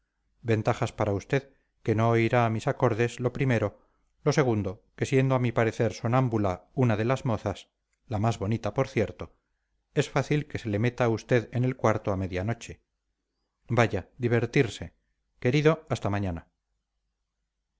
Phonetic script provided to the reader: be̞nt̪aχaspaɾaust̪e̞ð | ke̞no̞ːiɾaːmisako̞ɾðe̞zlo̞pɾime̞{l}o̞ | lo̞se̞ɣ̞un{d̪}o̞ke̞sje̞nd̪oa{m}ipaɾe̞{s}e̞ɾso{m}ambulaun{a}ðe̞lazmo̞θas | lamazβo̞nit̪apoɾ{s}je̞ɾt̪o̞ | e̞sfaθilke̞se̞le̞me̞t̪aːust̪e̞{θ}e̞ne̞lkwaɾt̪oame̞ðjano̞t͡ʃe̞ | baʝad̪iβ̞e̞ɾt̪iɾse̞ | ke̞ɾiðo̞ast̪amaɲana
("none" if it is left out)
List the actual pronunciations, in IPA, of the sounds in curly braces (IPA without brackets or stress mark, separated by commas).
ɾ, d̪, m, θ, n, a, θ, ð